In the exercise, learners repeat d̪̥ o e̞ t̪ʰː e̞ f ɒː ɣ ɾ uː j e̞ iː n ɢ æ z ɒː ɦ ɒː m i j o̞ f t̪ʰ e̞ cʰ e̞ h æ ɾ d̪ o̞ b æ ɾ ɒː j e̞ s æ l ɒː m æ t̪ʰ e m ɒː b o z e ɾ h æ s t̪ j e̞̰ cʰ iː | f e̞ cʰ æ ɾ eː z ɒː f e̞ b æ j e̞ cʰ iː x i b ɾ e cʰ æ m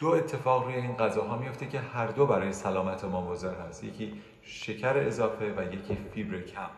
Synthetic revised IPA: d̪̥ o e̞ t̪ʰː e̞ f ɒː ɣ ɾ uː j e̞ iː n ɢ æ z ɒː ɦ ɒː m i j o̞ f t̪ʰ e̞ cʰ e̞ h æ ɾ d̪ o̞ b æ ɾ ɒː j e̞ s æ l ɒː m æ t̪ʰ e m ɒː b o z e ɾ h æ s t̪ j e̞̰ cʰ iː | ʃ e̞ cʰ æ ɾ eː z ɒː f e̞ v æ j e̞ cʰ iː f i b ɾ e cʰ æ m